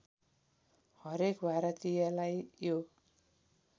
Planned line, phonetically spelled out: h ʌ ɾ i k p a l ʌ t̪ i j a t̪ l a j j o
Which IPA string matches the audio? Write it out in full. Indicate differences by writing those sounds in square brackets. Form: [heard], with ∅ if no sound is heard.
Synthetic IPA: h ʌ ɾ [e] k [b] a [ɾ] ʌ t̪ i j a [∅] l a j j o